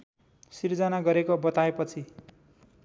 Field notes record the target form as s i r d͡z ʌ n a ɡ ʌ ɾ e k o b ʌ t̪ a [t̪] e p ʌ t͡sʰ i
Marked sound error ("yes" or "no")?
yes